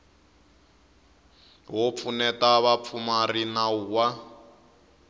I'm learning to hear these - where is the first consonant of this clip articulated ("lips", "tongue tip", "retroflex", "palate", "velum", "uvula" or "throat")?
throat